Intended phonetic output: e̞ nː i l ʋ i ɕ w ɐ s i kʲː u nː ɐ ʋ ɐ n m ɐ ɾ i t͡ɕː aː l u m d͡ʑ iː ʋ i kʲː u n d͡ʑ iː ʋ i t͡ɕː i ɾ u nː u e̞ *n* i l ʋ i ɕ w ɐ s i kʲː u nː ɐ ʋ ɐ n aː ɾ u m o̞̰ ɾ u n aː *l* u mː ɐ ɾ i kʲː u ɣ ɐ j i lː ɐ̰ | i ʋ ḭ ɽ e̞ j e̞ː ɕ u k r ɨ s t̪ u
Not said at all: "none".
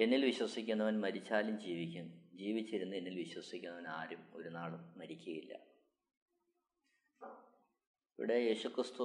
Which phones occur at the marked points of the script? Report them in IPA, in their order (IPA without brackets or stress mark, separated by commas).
nː, ɭ